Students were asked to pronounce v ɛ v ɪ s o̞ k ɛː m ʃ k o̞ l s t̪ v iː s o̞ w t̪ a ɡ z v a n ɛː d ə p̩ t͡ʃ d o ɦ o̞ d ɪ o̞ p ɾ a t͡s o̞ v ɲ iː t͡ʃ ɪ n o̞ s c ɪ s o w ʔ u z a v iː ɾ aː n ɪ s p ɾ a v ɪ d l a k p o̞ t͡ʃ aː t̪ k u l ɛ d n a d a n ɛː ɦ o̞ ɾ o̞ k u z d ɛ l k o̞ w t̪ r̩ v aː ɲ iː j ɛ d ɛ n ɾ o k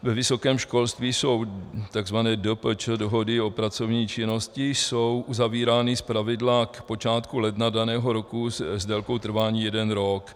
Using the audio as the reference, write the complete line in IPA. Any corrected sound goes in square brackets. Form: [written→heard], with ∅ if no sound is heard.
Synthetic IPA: v ɛ v ɪ s o̞ k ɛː m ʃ k o̞ l s t̪ v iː s o̞ w t̪ a ɡ z v a n ɛː d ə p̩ t͡ʃ d o ɦ o̞ d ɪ o̞ p ɾ a t͡s o̞ v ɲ iː t͡ʃ ɪ n o̞ s c ɪ s o w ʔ u z a v iː ɾ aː n ɪ s p ɾ a v ɪ d l a k p o̞ t͡ʃ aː t̪ k u l ɛ d n a d a n ɛː ɦ o̞ ɾ o̞ k u z d ɛ l k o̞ w t̪ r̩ v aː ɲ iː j ɛ d ɛ n ɾ o k